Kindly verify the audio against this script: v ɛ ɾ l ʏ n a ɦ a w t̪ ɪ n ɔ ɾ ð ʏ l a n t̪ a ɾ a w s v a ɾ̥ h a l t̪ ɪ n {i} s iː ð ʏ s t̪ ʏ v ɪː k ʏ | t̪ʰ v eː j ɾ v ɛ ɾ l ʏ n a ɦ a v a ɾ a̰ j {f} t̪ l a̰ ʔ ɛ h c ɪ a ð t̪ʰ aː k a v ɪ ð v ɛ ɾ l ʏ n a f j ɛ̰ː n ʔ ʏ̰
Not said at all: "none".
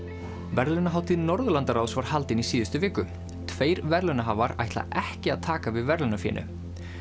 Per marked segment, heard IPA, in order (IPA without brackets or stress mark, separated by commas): i, h